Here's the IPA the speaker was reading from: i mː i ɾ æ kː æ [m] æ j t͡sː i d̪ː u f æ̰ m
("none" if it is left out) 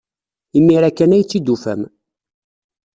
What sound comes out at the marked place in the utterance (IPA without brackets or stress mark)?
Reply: n